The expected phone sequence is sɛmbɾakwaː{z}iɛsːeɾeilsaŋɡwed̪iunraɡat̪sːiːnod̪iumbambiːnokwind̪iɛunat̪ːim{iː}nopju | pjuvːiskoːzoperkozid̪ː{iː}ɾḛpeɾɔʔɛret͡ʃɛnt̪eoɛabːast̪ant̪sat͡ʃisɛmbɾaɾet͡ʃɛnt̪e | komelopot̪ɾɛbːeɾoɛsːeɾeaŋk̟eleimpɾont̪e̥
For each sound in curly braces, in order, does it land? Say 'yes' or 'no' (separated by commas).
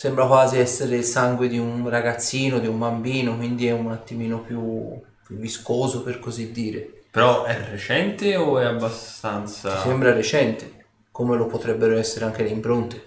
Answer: yes, yes, yes